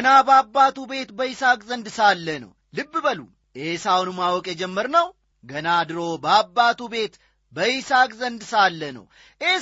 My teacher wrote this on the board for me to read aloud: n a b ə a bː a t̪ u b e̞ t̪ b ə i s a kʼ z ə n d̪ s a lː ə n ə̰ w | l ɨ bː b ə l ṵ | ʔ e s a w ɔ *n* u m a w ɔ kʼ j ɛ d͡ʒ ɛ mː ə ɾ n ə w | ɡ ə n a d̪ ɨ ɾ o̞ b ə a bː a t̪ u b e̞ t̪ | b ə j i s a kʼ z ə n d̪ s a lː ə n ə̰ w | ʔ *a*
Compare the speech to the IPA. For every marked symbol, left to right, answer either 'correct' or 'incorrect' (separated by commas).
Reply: correct, incorrect